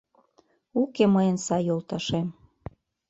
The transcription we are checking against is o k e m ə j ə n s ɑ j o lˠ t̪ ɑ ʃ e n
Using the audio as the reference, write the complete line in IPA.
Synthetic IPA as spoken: u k e m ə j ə n s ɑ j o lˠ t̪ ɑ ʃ e m

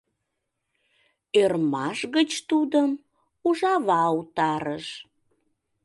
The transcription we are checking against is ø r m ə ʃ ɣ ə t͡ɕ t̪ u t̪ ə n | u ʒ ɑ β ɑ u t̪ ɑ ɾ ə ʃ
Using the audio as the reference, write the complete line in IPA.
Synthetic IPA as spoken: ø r m ɑ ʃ ɣ ə t͡ɕ t̪ u d̪ ə m | u ʒ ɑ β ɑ u t̪ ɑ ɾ ə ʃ

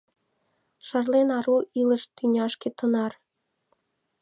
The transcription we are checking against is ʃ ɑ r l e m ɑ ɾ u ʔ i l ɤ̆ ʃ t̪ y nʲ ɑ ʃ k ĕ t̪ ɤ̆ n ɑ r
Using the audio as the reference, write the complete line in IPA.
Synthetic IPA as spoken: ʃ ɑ r l e n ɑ ɾ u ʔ i l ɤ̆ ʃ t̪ y nʲ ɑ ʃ k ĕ t̪ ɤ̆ n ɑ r

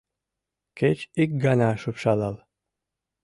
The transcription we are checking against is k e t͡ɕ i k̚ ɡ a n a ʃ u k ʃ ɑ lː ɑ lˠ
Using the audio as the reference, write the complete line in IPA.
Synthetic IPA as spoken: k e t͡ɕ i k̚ ɡ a n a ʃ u p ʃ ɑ l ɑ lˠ

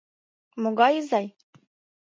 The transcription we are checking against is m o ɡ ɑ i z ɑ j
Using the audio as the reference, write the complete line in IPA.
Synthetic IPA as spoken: m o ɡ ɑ j z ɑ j

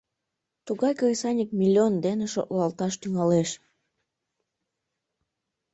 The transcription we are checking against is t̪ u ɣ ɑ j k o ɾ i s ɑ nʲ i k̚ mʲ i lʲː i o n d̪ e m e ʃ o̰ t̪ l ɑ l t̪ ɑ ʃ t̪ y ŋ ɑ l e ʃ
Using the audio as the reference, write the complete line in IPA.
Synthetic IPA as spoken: t̪ u ɣ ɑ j k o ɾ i s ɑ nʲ i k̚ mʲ i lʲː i o n d̪ e n e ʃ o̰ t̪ l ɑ l t̪ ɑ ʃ t̪ y ŋ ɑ l e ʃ

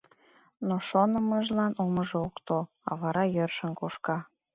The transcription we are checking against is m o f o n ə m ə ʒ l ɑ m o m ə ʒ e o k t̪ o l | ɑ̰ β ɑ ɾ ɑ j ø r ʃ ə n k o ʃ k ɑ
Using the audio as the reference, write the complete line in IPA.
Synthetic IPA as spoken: n o ʃ o n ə m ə ʒ l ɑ n o m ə ʒ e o k t̪ o l | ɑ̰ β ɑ ɾ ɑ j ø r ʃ ə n k o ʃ k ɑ

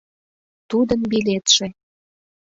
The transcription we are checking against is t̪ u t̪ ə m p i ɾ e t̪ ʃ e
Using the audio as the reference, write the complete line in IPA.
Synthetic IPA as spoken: t̪ u d̪ ə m b i l e t̪ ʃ e

